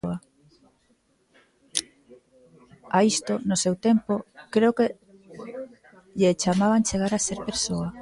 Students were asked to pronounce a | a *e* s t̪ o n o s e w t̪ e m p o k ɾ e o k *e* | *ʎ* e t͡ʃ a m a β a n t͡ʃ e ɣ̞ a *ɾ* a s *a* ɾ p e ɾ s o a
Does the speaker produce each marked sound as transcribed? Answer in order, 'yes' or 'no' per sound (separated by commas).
no, yes, yes, yes, no